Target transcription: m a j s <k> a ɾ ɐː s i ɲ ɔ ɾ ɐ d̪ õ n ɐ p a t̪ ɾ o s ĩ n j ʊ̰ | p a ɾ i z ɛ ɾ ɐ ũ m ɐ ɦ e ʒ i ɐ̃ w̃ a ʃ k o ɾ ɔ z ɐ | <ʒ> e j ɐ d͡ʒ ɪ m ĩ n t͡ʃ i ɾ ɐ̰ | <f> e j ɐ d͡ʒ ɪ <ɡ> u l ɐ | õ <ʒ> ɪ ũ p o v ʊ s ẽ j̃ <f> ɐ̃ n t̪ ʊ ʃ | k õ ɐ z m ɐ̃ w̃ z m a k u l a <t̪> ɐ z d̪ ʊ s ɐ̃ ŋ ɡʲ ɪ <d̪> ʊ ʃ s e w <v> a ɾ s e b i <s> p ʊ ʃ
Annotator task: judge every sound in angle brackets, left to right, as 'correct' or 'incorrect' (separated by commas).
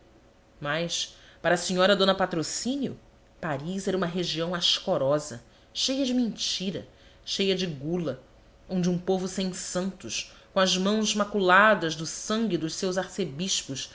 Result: incorrect, incorrect, incorrect, correct, incorrect, incorrect, incorrect, correct, incorrect, incorrect